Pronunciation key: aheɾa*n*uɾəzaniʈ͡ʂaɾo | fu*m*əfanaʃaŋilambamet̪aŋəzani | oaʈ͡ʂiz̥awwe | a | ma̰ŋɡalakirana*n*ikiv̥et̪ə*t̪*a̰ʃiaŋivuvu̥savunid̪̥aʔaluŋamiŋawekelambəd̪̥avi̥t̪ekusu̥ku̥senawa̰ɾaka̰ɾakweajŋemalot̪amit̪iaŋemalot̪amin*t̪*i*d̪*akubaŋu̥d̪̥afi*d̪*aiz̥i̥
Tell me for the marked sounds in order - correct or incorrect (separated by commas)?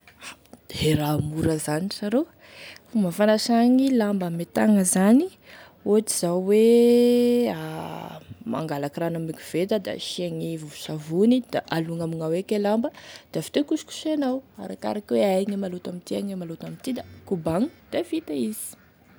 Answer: incorrect, correct, incorrect, incorrect, correct, correct, incorrect